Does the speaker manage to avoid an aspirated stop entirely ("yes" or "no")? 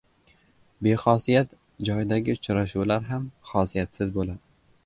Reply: yes